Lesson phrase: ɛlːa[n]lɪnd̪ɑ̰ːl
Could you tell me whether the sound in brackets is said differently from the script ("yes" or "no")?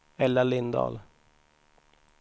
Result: yes